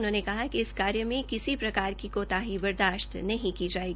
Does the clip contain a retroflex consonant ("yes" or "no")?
no